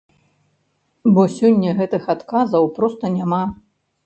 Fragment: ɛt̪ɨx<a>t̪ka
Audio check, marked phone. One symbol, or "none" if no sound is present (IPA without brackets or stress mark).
a